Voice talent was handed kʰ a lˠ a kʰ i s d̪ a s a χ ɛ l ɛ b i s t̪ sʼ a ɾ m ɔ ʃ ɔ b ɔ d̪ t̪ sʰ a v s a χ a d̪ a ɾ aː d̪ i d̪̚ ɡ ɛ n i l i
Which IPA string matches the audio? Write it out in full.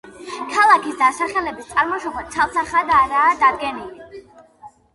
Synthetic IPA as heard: kʰ a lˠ a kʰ i s d̪ a s a χ ɛ l ɛ b i s t̪ sʼ a ɾ m ɔ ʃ ɔ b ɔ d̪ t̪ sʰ a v s a χ a d̪ a ɾ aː d̪ a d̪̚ ɡ ɛ n i l i

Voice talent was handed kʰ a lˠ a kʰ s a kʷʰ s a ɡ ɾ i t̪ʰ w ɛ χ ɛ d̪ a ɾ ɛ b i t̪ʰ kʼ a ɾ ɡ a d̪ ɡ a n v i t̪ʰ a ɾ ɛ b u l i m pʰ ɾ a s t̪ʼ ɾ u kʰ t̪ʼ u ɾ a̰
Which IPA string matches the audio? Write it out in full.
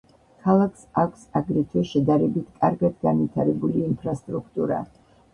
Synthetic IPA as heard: kʰ a lˠ a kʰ s a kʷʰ s a ɡ ɾ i t̪ʰ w ɛ ʃ ɛ d̪ a ɾ ɛ b i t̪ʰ kʼ a ɾ ɡ a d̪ ɡ a n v i t̪ʰ a ɾ ɛ b u l iː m pʰ ɾ a s t̪ʼ ɾ u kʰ t̪ʼ u ɾ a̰

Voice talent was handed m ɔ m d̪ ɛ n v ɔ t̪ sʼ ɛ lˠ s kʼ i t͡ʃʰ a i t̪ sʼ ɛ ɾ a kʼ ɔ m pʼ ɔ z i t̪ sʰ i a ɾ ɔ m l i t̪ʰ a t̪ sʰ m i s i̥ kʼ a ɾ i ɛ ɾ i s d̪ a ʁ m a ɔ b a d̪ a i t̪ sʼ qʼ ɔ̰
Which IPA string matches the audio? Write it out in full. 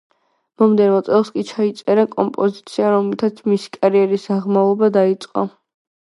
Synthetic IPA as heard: m ɔ m d̪ ɛ n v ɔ t̪ sʼ ɛ lˠ s kʼ i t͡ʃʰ a i t̪ sʼ ɛ ɾ a kʼ ɔ m pʼ ɔ z i t̪ sʰ i a ɾ ɔ m l i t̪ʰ a t̪ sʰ m i s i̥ kʼ a ɾ i ɛ ɾ i s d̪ a ʁ m a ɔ b a d̪ a i t̪ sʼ qʼ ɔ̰

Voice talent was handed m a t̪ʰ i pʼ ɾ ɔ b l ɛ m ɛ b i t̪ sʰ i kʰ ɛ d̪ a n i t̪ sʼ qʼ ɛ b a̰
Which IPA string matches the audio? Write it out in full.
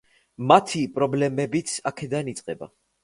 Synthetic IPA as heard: m a t̪ʰ i pʼ ɾ ɔ b l ɛ m ɛ b i t̪ sʰ a kʰ ɛ d̪ a n i t̪ sʼ qʼ ɛ b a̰

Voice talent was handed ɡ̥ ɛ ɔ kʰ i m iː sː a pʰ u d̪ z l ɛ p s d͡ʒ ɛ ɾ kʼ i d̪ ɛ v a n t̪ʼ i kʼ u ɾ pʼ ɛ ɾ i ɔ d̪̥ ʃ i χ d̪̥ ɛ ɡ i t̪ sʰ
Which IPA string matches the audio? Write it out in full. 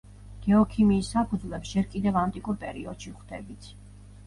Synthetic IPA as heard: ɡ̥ ɛ ɔ kʰ i m iː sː a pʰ u d̪ z l ɛ p s d͡ʒ ɛ ɾ kʼ i d̪ ɛ v a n t̪ʼ i kʼ u ɾ pʼ ɛ ɾ i ɔ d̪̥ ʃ i χ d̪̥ ɛ b i t̪ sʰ

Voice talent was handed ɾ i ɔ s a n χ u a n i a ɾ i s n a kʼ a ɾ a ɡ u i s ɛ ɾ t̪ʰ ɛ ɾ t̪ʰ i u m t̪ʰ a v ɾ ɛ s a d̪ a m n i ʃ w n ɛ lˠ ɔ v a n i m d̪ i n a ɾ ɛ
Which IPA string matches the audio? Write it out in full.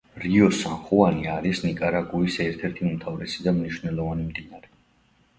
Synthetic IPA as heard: ɾ i ɔ s a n χ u a n i a ɾ i s n i kʼ a ɾ a ɡ u i s ɛ ɾ t̪ʰ ɛ ɾ t̪ʰ i u m t̪ʰ a v ɾ ɛ s i d̪ a m n i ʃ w n ɛ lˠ ɔ v a n i m d̪ i n a ɾ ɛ

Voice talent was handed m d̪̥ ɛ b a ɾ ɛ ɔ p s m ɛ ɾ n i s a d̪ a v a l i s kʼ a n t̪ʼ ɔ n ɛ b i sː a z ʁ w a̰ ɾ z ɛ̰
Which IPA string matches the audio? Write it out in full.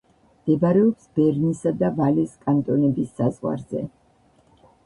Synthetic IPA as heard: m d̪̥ ɛ b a ɾ ɛ ɔ p s b ɛ ɾ n i s a d̪ a v a l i s kʼ a n t̪ʼ ɔ n ɛ b i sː a z ʁ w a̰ ɾ z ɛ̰

